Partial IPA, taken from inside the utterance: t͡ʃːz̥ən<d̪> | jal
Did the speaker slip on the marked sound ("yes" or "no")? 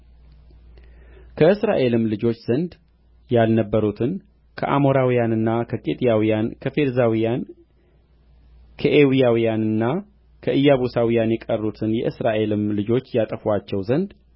no